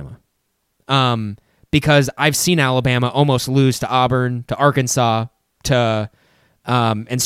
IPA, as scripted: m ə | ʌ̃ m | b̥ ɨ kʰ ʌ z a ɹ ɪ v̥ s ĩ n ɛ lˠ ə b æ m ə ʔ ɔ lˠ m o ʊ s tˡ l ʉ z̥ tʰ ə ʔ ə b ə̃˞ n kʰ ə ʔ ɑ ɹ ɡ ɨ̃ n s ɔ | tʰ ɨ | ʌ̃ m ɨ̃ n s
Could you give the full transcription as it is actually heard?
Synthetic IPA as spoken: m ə | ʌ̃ m | b̥ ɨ kʰ ʌ z a ɪ v̥ s ĩ n æ lˠ ə b æ m ə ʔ ɔ lˠ m o ʊ s tˡ l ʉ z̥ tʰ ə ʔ ɑ b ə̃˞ n tʰ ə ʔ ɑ ɹ k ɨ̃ n s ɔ | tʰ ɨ | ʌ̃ m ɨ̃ n s